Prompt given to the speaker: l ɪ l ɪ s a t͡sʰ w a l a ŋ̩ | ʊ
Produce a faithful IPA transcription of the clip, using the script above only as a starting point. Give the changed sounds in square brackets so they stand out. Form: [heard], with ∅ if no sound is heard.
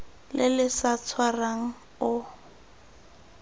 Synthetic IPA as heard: l ɪ l ɪ s a t͡sʰ w a [r] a ŋ̩ | ʊ